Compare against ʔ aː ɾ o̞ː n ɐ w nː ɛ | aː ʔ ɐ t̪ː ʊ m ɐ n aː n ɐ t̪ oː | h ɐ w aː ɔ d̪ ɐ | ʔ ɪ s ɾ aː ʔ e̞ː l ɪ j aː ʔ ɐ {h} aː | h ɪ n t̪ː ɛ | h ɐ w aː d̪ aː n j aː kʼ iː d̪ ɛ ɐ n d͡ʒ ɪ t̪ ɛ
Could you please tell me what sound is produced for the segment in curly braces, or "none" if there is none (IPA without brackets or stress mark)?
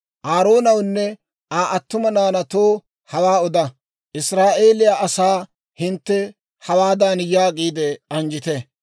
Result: s